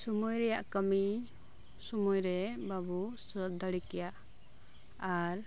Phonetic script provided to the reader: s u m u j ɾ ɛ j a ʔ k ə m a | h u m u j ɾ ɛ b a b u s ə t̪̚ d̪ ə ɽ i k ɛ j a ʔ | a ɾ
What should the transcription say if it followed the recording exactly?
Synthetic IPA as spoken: s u m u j ɾ ɛ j a ʔ k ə m i | s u m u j ɾ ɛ b a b u s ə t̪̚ d̪ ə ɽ i k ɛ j a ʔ | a ɾ